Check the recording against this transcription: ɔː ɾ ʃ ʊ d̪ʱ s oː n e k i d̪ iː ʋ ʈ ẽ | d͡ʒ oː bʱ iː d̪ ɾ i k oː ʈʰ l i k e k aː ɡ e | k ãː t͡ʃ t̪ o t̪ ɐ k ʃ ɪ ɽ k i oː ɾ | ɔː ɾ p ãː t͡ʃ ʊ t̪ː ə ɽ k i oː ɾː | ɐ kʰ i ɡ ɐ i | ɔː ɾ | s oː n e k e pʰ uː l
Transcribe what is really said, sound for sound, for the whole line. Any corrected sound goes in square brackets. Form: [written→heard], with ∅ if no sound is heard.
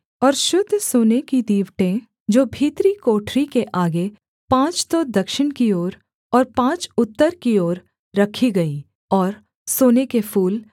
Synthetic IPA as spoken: ɔː ɾ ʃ ʊ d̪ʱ s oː n e k i d̪ iː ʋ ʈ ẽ | d͡ʒ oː bʱ iː [d̪→t̪] ɾ i k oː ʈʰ [l→ɾ] i k e [k→ʔ] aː ɡ e | [k→p] ãː t͡ʃ t̪ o [t̪→d̪] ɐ k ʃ ɪ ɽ k i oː ɾ | ɔː ɾ p ãː t͡ʃ ʊ t̪ː ə [ɽ→ɾ] k i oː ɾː | ɐ kʰ i ɡ ɐ i | ɔː ɾ | s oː n e k e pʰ uː l